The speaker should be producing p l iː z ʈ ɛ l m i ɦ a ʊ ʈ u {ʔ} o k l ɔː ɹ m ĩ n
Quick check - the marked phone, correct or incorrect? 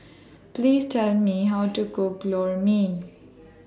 incorrect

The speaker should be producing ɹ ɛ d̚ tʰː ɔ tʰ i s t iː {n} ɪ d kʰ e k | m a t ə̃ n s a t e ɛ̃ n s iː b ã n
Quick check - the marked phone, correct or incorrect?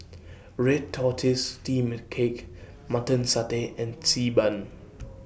incorrect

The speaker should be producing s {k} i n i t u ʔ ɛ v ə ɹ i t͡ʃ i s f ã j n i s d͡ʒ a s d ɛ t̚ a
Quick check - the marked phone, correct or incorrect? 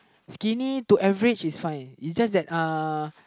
correct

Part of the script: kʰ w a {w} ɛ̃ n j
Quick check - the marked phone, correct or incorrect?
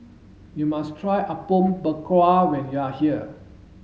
correct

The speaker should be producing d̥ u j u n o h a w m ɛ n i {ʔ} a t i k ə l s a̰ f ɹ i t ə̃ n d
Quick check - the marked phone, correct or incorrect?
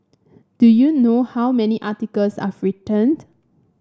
correct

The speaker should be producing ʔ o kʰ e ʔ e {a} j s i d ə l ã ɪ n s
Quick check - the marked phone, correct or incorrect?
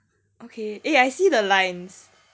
correct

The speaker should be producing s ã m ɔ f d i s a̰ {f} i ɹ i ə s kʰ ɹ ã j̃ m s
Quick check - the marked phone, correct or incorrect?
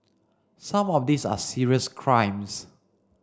incorrect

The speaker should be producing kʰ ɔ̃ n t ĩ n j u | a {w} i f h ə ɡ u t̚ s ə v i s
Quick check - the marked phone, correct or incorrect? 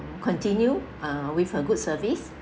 correct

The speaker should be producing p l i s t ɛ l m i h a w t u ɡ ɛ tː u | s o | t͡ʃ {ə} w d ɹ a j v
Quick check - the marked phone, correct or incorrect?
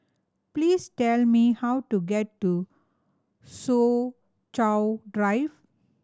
incorrect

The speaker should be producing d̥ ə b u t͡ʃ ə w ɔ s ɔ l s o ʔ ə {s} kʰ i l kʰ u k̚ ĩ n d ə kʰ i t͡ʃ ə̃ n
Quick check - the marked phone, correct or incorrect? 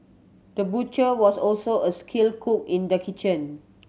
correct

